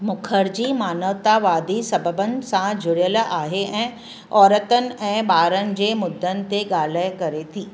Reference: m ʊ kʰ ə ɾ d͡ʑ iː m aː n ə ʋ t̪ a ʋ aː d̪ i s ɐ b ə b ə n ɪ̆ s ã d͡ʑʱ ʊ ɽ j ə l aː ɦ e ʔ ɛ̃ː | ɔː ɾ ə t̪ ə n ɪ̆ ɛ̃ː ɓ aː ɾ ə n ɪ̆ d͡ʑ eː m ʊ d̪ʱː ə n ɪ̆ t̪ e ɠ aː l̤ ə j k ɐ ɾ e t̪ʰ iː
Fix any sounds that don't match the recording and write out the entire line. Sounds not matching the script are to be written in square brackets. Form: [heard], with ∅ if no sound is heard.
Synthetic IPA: m ʊ kʰ ə ɾ d͡ʑ iː m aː n ə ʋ t̪ a ʋ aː d̪ i s ɐ b ə b ə n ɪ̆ s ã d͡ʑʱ ʊ ɽ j ə l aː ɦ e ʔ ɛ̃ː | ɔː ɾ ə t̪ ə n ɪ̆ ɛ̃ː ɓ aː ɾ ə n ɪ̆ d͡ʑ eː m ʊ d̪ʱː ə n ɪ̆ t̪ e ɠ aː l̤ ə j k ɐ ɾ e t̪ʰ iː